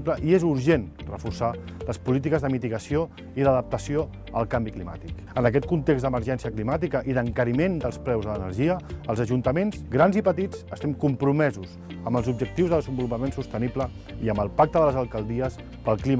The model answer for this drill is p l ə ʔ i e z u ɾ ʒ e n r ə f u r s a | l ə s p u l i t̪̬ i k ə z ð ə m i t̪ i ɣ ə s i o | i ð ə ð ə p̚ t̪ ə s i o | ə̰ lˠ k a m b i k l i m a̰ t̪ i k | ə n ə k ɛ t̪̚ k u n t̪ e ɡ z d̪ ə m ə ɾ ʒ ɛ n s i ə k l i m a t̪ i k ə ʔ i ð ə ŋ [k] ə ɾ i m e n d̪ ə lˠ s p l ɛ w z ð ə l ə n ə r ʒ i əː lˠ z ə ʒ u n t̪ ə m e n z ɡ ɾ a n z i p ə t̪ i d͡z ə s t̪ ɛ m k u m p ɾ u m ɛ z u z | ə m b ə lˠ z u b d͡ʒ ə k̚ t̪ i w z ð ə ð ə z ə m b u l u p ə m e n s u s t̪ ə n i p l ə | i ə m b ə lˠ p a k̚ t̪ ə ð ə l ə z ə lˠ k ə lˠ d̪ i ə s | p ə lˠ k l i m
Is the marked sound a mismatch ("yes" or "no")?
no